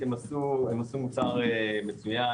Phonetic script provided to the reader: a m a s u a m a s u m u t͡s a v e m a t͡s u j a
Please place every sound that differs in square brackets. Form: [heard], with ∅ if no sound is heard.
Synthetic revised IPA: [e] m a s u [e] m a s u m u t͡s a [ʁ] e m [e] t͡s u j a